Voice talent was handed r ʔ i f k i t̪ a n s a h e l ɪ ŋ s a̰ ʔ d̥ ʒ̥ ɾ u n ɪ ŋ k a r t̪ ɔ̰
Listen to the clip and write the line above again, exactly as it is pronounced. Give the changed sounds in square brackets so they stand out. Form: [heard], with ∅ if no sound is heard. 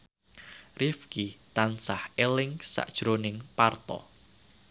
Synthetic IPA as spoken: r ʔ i f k i t̪ a n s a h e l ɪ ŋ s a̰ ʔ d̥ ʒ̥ ɾ [o] n ɪ ŋ [p] a r t̪ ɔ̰

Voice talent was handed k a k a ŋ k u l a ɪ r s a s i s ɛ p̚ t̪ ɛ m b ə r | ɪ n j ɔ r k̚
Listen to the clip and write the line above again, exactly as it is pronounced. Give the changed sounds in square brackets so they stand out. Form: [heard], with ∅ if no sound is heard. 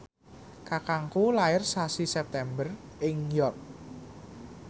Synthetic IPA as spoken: k a k a ŋ k u l a ɪ r s a s i s ɛ p̚ t̪ ɛ m b ə r | ɪ [ŋ] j ɔ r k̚

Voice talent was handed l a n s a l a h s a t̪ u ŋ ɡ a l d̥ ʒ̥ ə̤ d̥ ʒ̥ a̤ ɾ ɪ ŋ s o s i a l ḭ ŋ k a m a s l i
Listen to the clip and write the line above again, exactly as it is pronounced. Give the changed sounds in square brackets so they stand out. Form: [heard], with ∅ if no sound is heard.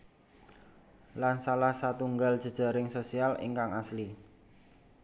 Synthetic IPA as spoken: l a n s a l a h s a t̪ u ŋ ɡ a l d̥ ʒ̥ ə̤ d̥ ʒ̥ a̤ ɾ ɪ ŋ s o s i a l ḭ ŋ k a [ŋ] a s l i

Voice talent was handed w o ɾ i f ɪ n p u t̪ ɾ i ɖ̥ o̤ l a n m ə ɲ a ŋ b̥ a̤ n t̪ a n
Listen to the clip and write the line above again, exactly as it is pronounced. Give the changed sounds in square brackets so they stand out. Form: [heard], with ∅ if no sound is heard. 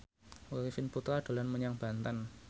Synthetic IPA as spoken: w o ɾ i f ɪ n p u t̪ ɾ [a] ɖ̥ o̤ l a n m ə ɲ a ŋ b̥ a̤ n t̪ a n

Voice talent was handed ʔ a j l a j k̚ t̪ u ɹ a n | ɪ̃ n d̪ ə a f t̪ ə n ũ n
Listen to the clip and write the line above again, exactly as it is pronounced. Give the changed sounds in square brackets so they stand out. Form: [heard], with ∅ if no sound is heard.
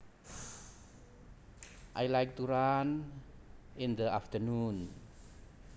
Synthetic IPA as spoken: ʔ a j l a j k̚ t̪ u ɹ a n | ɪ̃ n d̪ ə a f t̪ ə n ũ n

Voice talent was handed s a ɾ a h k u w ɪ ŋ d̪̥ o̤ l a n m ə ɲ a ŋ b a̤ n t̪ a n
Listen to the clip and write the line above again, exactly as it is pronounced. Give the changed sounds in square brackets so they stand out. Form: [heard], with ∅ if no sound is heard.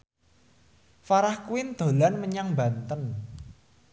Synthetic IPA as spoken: [f] a ɾ a h k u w ɪ [n] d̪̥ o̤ l a n m ə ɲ a ŋ b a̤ n t̪ [ə] n

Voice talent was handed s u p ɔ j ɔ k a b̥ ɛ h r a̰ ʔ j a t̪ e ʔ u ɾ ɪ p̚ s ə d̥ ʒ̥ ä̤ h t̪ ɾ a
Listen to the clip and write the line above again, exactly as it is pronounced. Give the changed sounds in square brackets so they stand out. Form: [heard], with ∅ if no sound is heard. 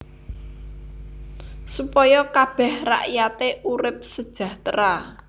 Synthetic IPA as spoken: s u p ɔ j ɔ k a b̥ ɛ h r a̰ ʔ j a t̪ e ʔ u ɾ ɪ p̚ s ə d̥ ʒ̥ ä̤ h t̪ ɾ a

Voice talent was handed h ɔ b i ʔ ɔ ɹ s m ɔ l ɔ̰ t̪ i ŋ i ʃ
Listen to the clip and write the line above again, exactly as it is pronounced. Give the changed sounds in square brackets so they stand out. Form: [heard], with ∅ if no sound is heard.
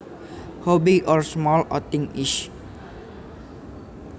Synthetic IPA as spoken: h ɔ b i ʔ ɔ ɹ s m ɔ l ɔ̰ t̪ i ŋ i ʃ

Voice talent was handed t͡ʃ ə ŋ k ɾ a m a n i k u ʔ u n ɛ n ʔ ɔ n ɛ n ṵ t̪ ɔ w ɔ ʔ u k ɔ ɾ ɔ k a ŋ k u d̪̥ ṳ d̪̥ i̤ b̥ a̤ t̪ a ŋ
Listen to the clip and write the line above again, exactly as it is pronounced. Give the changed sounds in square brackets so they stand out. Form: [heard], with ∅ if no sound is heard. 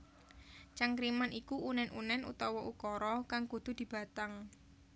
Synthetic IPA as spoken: t͡ʃ [a] ŋ k ɾ [i] m a n i k u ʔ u n ɛ n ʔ [u] n ɛ n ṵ t̪ ɔ w ɔ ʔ u k ɔ ɾ ɔ k a ŋ k u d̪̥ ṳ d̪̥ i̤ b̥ a̤ t̪ a ŋ

